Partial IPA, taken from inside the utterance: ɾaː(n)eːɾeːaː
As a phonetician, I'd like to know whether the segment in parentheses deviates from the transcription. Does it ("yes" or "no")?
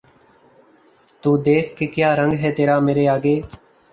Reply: yes